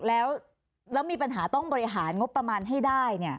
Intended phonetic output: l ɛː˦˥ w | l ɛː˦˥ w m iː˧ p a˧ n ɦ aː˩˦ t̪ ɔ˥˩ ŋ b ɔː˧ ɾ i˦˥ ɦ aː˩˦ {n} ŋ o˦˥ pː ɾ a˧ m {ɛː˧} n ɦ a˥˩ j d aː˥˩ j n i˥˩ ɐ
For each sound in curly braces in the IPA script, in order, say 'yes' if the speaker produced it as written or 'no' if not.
yes, no

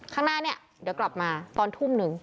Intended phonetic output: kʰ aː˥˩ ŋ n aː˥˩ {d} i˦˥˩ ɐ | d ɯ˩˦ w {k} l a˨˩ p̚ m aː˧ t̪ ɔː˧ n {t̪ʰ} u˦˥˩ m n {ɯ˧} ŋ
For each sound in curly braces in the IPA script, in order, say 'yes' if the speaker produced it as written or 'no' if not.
no, yes, yes, yes

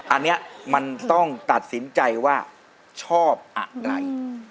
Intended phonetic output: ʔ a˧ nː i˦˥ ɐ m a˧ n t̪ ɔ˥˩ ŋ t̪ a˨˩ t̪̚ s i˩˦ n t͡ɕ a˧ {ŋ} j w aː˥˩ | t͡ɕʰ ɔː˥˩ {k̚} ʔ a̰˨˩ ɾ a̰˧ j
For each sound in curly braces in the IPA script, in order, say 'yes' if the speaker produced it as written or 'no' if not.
no, no

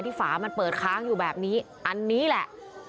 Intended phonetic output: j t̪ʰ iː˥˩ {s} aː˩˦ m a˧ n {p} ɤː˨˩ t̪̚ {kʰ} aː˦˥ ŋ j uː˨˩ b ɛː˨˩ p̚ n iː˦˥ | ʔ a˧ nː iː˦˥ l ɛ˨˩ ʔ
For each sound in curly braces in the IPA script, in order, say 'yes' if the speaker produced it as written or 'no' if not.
no, yes, yes

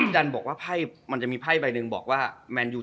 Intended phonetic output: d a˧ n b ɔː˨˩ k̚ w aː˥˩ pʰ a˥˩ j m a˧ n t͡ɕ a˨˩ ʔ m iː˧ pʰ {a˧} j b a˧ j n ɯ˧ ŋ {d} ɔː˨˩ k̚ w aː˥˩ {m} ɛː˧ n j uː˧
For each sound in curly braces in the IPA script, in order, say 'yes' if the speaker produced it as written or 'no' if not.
no, no, yes

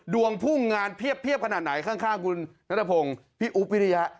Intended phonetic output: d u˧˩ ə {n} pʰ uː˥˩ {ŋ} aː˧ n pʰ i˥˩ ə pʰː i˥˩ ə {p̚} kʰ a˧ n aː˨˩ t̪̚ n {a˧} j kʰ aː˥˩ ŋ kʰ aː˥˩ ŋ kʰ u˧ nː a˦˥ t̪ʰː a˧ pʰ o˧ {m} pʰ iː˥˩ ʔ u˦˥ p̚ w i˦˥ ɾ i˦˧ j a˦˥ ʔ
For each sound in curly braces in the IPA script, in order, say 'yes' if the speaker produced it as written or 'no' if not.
no, yes, yes, no, no

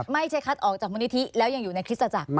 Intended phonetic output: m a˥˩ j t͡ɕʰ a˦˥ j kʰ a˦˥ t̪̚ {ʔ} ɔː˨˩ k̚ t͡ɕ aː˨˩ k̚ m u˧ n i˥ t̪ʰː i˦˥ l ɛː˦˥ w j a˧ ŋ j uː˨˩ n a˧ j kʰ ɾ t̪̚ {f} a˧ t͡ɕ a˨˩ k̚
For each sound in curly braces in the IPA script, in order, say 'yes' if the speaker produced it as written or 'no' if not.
yes, no

